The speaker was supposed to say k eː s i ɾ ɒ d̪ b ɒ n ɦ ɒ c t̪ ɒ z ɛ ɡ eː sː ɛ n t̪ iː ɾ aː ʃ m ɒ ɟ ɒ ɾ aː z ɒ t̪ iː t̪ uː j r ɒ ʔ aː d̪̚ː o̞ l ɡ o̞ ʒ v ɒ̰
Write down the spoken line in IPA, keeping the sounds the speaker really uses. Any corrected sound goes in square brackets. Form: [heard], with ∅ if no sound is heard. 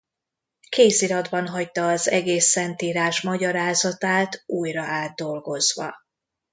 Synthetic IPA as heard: k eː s i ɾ ɒ d̪ b ɒ n ɦ ɒ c t̪ [ɒː] z ɛ ɡ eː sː ɛ n t̪ iː ɾ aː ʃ m ɒ ɟ ɒ ɾ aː z ɒ t̪ [aː] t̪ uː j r ɒ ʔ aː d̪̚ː o̞ l ɡ o̞ [z] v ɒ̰